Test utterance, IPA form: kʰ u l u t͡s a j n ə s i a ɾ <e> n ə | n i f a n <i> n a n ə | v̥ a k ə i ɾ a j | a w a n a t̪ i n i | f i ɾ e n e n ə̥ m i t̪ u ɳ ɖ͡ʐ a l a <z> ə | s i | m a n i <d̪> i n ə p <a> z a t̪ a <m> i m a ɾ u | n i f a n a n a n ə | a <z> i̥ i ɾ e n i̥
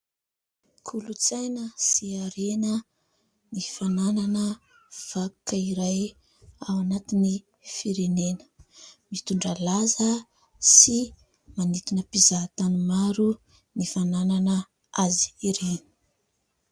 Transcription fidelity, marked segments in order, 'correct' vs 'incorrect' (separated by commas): correct, incorrect, correct, incorrect, incorrect, incorrect, correct